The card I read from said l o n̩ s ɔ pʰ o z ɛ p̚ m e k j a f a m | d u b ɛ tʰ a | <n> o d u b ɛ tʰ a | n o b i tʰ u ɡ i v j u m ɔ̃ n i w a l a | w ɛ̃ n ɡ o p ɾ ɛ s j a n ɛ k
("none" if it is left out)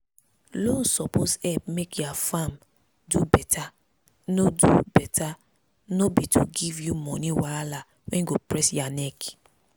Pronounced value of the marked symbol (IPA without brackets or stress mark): n